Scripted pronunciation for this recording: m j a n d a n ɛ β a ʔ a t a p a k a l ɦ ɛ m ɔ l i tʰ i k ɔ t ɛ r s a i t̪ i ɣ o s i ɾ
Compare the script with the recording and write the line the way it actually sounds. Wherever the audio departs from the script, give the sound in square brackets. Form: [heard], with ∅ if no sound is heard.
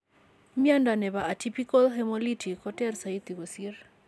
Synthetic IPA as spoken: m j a n d a n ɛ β a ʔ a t [i] p [i] k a l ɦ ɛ m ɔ l i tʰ i k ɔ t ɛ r s a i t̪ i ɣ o s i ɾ

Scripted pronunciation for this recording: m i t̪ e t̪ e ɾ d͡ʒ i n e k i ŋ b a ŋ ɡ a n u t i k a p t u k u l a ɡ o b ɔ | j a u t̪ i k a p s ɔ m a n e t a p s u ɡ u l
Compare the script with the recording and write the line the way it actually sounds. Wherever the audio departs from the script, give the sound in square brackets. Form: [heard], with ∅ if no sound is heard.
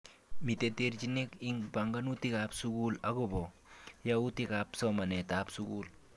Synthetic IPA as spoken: m i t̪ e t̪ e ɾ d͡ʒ i n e k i ŋ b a ŋ ɡ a n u t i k a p [s] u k u l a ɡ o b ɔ | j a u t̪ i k a p s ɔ m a n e t a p s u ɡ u l

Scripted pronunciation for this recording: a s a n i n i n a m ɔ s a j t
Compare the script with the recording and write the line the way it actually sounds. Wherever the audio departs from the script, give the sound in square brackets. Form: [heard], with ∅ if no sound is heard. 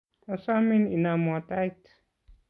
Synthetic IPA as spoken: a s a [m] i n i n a m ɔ [t] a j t

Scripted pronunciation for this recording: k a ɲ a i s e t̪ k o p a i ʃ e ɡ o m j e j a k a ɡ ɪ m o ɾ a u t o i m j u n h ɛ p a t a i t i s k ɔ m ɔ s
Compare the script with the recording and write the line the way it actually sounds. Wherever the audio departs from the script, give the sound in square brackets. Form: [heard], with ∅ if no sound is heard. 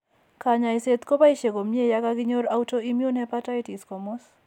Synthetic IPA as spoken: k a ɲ a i s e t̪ k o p a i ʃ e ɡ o m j e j a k a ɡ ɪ [ɲ] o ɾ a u t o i m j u n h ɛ p a t a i t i s k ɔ m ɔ s

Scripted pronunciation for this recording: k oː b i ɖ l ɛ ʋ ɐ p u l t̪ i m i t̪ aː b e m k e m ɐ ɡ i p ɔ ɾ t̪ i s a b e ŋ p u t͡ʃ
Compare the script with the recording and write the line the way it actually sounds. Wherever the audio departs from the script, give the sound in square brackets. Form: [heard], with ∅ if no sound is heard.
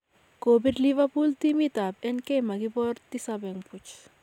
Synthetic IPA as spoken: k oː b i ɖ l [i] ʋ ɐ p u l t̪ i m i t̪ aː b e [n] k e m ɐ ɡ i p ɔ ɾ t̪ i s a b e ŋ p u t͡ʃ

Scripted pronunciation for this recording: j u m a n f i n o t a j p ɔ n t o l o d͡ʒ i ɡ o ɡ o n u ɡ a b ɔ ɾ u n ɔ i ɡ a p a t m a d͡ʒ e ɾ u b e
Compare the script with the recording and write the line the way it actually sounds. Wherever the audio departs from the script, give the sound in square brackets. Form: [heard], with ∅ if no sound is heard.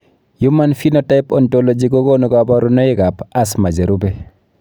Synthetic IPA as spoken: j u m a n f i n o t a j p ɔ n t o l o d͡ʒ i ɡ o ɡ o n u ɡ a b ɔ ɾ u n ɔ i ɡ a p a [s] m a d͡ʒ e ɾ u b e

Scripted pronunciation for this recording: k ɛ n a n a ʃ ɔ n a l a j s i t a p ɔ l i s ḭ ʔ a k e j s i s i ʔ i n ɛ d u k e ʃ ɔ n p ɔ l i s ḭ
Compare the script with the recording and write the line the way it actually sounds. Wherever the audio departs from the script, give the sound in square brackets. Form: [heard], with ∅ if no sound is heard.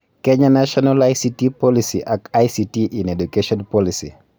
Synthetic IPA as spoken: k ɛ [ɲ] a n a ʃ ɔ n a l a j s i t [i] p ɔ l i s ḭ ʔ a k [a] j s i [t] i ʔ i n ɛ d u k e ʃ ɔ n p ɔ l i s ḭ

